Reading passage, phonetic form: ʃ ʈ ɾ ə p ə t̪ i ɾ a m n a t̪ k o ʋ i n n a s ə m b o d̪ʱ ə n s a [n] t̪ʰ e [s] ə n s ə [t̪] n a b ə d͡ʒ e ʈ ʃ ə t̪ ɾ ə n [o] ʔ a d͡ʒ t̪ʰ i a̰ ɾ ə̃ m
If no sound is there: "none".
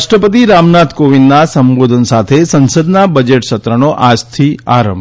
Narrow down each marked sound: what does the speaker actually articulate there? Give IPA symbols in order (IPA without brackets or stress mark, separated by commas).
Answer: none, s, d̪, o